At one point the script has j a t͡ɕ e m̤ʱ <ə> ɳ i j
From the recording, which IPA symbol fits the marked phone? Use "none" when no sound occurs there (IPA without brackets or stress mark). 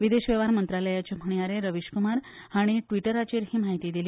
ə